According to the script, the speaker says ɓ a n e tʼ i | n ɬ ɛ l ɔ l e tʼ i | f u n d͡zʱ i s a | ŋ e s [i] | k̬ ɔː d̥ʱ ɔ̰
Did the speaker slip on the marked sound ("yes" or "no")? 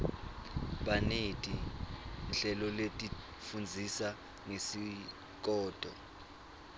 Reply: no